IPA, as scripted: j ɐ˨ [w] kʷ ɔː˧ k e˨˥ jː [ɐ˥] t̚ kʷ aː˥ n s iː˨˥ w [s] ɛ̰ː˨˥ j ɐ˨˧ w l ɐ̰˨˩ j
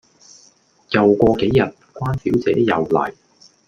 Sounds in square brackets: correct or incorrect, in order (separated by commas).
correct, incorrect, incorrect